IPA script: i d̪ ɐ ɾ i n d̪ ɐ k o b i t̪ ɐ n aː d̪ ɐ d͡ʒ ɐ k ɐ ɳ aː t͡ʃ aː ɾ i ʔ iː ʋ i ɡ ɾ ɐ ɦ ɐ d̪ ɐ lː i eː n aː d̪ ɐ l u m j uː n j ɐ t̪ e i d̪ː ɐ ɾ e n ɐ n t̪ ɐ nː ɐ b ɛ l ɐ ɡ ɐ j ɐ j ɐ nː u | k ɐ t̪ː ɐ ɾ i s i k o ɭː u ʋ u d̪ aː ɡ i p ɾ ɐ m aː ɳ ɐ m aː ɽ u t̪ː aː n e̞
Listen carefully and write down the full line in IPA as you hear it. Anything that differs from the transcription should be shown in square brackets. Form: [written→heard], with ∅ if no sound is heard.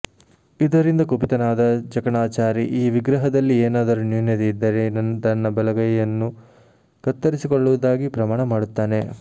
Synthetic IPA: i d̪ ɐ ɾ i n d̪ ɐ k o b i t̪ ɐ n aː d̪ ɐ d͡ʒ ɐ k ɐ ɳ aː t͡ʃ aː ɾ i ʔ iː ʋ i ɡ ɾ ɐ ɦ ɐ d̪ ɐ lː i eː n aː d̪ ɐ [l→ɾ] u [m→n] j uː n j ɐ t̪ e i d̪ː ɐ ɾ e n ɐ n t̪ ɐ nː ɐ b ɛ l ɐ ɡ ɐ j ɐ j ɐ nː u | k ɐ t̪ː ɐ ɾ i s i k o ɭː u ʋ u d̪ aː ɡ i p ɾ ɐ m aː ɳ ɐ m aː ɽ u t̪ː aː n e̞

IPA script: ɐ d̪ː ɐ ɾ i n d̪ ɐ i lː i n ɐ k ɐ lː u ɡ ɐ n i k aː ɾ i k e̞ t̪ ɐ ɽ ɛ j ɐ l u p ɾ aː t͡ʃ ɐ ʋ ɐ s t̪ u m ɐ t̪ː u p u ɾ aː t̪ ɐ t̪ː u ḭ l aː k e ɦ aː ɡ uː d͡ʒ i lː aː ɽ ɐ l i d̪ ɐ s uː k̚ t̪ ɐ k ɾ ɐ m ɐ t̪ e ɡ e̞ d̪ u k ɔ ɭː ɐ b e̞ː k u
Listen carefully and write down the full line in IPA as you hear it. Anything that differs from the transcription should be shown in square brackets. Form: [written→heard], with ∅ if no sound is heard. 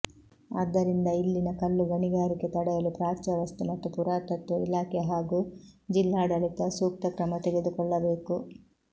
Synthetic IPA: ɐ d̪ː ɐ ɾ i n d̪ ɐ i lː i n ɐ k ɐ lː u ɡ ɐ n i [k→ɡ] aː ɾ i k e̞ t̪ ɐ ɽ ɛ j ɐ l u p ɾ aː t͡ʃ ɐ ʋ ɐ s t̪ u m ɐ t̪ː u p u ɾ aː t̪ ɐ t̪ː u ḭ l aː k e ɦ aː ɡ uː d͡ʒ i lː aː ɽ ɐ l i [d̪→t̪] ɐ s uː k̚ t̪ ɐ k ɾ ɐ m ɐ t̪ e ɡ e̞ d̪ u k ɔ ɭː ɐ b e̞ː k u

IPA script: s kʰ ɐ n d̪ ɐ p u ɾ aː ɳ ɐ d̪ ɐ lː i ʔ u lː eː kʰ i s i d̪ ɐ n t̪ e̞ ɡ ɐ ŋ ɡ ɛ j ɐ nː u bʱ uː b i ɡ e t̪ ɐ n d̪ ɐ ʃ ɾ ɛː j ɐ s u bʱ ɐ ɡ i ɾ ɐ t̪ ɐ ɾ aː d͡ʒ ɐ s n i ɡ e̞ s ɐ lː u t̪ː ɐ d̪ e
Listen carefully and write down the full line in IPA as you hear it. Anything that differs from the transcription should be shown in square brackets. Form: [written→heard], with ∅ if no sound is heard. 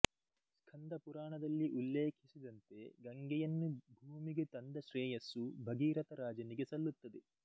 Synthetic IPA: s kʰ ɐ n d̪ ɐ p u ɾ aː ɳ ɐ d̪ ɐ lː i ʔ u lː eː kʰ i s i d̪ ɐ n t̪ e̞ ɡ ɐ ŋ ɡ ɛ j ɐ nː u bʱ uː [b→m] i ɡ e t̪ ɐ n d̪ ɐ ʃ ɾ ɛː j ɐ s u bʱ ɐ ɡ [i→iː] ɾ ɐ t̪ ɐ ɾ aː d͡ʒ ɐ [s→∅] n i ɡ e̞ s ɐ lː u t̪ː ɐ d̪ e

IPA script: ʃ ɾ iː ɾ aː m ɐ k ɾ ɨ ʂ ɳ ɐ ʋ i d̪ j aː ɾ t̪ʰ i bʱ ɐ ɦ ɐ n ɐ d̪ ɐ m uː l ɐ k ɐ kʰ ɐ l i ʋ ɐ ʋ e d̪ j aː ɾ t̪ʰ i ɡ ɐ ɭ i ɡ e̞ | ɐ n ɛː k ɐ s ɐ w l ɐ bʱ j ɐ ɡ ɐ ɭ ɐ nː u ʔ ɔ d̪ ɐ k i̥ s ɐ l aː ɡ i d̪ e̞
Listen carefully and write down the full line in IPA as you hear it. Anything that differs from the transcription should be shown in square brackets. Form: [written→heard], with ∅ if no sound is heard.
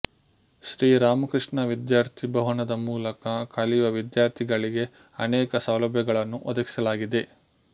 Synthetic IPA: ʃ ɾ iː ɾ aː m ɐ k ɾ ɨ ʂ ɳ ɐ ʋ i d̪ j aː ɾ t̪ʰ i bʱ ɐ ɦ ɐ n ɐ d̪ ɐ m uː l ɐ k ɐ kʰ ɐ l i ʋ ɐ ʋ [e→i] d̪ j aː ɾ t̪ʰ i ɡ ɐ ɭ i ɡ e̞ | ɐ n ɛː k ɐ s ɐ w l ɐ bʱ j ɐ ɡ ɐ ɭ ɐ nː u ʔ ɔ d̪ ɐ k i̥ s ɐ l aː ɡ i d̪ e̞

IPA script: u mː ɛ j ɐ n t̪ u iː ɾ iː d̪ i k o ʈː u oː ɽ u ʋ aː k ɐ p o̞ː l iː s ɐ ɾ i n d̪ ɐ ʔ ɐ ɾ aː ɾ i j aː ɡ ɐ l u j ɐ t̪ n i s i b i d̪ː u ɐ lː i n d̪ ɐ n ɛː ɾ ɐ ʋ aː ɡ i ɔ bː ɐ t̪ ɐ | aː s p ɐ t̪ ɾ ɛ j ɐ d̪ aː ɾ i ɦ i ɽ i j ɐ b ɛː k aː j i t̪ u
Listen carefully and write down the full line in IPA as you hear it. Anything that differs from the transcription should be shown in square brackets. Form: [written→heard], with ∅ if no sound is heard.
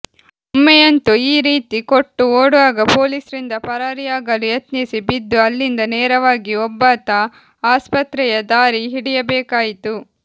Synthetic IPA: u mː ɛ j ɐ n t̪ u iː ɾ iː [d̪→t̪] i k o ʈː u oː ɽ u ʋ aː [k→ɡ] ɐ p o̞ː l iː s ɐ ɾ i n d̪ ɐ [ʔ→p] ɐ ɾ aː ɾ i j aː ɡ ɐ l u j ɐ t̪ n i s i b i d̪ː u ɐ lː i n d̪ ɐ n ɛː ɾ ɐ ʋ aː ɡ i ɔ bː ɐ t̪ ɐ | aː s p ɐ t̪ ɾ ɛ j ɐ d̪ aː ɾ i ɦ i ɽ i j ɐ b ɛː k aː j i t̪ u

